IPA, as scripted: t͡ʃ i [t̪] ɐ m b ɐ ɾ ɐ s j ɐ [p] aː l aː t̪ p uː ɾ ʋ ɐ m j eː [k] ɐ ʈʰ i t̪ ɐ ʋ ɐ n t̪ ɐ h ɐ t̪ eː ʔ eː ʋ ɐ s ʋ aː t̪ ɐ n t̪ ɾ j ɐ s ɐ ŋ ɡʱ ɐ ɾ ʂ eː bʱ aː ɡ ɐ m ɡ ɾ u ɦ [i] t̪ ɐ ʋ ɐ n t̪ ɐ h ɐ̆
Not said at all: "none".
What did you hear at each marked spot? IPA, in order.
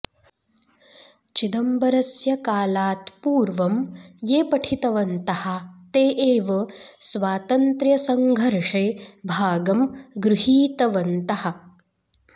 d̪, k, p, iː

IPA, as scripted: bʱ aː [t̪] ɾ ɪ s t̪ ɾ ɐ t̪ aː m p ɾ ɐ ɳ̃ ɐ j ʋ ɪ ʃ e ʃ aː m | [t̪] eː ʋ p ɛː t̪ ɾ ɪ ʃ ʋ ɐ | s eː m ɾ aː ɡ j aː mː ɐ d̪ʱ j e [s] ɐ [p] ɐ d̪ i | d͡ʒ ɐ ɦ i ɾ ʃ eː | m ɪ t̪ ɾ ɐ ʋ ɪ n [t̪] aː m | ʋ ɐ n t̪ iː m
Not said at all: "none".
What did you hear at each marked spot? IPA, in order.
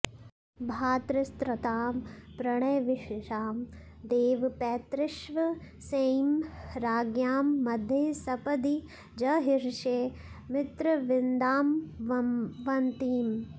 t̪, d̪, s, p, d̪

